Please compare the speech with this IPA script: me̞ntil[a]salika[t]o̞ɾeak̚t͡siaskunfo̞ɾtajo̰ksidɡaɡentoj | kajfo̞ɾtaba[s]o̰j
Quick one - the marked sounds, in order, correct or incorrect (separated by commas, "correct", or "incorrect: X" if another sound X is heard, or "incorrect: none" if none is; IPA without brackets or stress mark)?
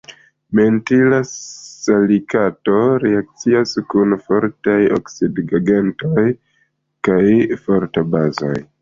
correct, correct, incorrect: z